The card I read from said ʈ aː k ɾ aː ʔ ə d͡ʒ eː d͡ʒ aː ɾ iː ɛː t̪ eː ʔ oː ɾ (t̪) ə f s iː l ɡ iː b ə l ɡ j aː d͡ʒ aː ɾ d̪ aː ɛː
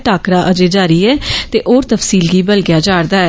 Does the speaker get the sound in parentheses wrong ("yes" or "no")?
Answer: no